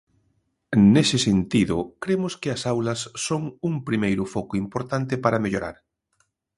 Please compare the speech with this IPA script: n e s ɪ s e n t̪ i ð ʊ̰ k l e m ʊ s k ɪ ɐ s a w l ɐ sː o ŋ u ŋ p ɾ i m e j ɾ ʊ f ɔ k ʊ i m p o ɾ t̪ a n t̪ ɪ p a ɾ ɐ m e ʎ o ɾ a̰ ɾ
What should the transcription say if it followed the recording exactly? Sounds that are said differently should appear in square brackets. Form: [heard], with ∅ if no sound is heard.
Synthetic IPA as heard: n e s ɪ s e n t̪ i ð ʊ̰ k [ɾ] e m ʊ s k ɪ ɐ s a w l ɐ sː o ŋ u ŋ p ɾ i m e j ɾ ʊ f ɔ k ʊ i m p o ɾ t̪ a n t̪ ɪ p a ɾ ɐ m e ʎ o ɾ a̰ ɾ